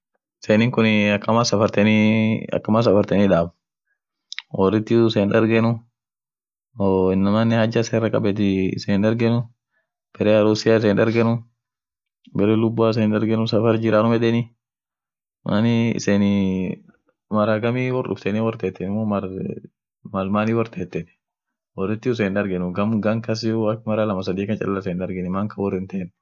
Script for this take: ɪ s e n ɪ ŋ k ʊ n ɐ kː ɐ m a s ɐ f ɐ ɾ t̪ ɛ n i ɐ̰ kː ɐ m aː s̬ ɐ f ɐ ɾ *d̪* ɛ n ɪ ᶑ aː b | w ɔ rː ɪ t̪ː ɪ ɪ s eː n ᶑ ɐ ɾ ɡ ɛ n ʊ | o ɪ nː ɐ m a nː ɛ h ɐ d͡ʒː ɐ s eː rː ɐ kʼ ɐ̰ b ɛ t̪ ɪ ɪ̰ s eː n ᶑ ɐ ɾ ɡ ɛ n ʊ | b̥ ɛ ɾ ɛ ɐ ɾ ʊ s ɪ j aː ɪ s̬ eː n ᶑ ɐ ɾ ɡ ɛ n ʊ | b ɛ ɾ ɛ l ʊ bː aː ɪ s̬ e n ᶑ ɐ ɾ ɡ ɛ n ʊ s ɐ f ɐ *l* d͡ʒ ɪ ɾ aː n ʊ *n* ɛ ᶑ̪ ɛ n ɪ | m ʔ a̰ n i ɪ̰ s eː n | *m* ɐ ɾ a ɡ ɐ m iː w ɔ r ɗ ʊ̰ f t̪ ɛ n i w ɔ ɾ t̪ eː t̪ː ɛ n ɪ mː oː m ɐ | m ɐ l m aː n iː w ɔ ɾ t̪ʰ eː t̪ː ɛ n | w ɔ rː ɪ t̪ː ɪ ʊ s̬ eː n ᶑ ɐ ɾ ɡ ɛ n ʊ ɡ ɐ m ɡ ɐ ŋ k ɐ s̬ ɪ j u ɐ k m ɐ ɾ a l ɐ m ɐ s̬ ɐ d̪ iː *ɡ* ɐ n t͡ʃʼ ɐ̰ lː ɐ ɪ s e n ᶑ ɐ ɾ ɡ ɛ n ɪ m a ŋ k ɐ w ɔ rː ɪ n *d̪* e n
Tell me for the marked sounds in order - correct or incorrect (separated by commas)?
incorrect, incorrect, incorrect, correct, incorrect, incorrect